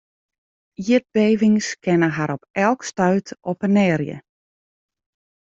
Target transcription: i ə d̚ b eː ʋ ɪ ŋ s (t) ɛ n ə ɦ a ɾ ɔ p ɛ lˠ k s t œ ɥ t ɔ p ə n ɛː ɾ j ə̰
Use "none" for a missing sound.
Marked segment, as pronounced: k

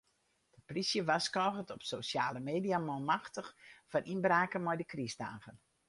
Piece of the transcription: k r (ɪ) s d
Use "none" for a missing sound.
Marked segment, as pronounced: i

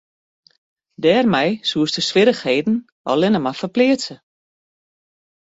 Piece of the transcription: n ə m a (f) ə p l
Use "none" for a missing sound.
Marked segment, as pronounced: f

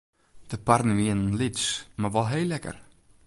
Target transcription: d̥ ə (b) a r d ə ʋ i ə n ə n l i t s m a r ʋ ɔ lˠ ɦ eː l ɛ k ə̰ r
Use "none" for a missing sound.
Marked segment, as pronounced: p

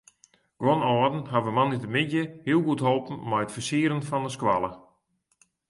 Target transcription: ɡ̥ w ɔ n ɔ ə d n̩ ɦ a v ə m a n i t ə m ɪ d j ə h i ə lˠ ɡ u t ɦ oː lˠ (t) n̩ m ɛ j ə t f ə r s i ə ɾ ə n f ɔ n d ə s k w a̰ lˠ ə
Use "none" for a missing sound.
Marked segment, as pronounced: p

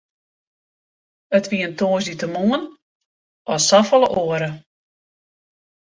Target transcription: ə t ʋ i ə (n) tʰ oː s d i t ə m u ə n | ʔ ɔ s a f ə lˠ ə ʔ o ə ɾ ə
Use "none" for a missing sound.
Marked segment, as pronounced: n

